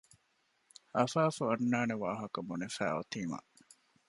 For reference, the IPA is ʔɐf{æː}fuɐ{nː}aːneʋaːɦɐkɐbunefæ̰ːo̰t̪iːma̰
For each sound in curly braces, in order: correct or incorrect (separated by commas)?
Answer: incorrect, correct